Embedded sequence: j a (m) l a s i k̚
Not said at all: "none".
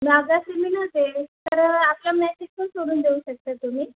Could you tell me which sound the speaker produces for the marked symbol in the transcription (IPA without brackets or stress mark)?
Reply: m